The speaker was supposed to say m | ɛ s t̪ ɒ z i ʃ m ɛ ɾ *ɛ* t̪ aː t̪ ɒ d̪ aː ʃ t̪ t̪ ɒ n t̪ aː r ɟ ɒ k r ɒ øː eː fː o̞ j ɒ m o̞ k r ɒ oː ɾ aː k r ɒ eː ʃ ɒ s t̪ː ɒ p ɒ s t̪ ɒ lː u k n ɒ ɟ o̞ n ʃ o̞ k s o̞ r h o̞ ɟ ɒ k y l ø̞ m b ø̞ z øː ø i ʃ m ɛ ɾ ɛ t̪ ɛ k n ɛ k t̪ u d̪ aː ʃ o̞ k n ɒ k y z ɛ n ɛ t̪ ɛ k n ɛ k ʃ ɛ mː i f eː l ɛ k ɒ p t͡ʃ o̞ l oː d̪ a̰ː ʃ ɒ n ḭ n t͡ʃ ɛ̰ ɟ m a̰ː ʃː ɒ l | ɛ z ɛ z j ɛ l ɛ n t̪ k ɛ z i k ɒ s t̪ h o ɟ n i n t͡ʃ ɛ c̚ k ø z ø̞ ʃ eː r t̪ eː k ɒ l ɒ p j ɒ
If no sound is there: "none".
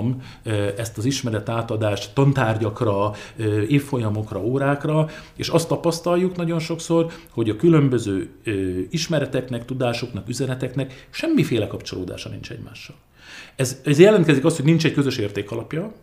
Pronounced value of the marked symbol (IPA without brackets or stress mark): ɛ